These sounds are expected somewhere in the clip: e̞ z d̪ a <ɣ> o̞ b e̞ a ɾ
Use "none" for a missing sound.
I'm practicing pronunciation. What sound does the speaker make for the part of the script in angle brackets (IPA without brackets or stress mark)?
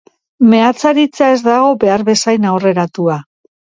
ɣ